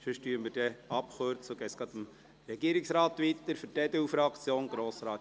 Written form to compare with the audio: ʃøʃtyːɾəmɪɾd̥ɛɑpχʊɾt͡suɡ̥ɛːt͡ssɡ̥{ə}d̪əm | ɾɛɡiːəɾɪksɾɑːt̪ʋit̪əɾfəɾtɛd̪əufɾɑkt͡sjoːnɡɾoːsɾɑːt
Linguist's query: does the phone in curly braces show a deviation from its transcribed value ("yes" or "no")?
yes